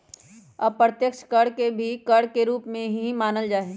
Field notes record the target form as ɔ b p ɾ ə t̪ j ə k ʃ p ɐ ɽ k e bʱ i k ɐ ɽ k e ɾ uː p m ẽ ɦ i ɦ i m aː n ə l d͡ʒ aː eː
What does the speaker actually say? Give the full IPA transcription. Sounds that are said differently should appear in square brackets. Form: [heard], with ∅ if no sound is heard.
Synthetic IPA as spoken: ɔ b p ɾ ə t̪ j ə k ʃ [k] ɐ ɽ k e bʱ i k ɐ ɽ k e ɾ uː p m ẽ ɦ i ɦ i m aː n ə l d͡ʒ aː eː